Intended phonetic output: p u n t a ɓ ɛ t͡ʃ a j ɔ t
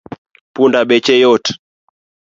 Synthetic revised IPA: p u n d a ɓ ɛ t͡ʃ ɛ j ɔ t